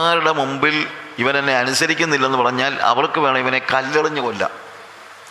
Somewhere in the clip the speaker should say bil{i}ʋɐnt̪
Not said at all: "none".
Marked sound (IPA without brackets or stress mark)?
i